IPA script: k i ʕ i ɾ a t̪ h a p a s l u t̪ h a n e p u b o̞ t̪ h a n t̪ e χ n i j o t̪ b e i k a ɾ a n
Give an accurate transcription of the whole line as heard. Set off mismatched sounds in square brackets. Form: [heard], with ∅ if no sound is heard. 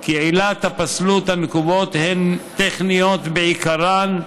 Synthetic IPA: k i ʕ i [l] a t̪ h a p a s l u t̪ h a n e [k] u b o̞ t̪ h [e] n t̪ e χ n i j o t̪ b e i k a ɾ a n